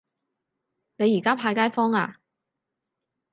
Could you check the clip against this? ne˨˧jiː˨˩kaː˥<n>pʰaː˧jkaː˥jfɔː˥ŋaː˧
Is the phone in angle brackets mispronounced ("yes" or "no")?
yes